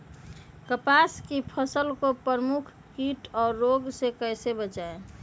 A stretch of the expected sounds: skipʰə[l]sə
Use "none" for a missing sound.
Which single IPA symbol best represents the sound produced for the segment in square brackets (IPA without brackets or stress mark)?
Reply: none